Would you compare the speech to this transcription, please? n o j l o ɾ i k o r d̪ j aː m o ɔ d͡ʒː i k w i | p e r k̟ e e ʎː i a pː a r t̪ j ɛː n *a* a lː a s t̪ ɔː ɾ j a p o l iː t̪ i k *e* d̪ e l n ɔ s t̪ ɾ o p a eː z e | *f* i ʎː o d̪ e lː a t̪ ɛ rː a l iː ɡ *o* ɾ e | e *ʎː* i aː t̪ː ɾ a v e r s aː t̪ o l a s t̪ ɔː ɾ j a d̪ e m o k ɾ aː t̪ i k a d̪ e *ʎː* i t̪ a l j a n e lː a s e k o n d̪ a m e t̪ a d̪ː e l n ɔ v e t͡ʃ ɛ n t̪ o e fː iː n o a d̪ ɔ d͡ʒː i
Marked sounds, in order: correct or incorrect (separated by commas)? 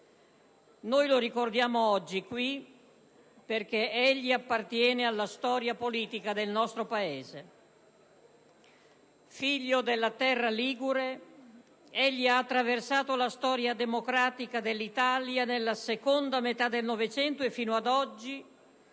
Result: incorrect, incorrect, correct, incorrect, correct, incorrect